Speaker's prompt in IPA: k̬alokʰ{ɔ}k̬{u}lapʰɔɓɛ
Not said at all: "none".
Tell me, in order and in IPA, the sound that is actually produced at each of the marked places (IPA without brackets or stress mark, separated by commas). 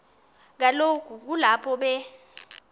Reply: u, u